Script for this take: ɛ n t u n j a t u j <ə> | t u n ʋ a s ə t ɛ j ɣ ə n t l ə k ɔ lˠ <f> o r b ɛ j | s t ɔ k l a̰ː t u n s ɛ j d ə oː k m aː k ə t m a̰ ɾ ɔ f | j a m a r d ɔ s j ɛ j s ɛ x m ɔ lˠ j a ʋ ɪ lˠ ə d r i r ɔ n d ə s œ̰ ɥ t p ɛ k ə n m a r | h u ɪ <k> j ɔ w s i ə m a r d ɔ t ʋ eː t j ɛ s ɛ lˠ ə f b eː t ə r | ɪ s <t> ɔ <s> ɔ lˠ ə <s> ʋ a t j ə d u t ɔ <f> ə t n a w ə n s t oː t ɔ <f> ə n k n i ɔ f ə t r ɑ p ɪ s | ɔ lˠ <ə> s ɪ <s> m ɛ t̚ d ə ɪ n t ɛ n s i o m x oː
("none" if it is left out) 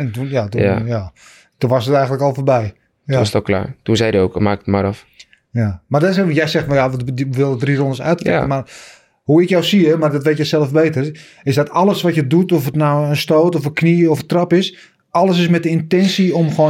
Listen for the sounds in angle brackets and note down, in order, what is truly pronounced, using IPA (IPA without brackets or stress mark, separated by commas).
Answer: a, f, k, d, t, s, f, f, ə, s